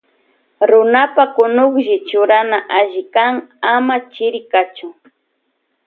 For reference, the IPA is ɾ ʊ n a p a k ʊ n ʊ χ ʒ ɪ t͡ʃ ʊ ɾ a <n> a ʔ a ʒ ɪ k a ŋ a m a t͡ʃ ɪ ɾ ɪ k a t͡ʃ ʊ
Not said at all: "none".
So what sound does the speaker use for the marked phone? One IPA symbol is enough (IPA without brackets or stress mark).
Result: n